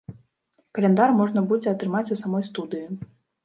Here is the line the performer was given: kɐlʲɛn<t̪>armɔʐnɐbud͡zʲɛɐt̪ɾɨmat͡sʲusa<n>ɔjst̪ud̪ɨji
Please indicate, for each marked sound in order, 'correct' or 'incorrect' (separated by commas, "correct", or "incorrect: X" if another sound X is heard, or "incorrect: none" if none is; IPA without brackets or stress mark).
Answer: incorrect: d̪, incorrect: m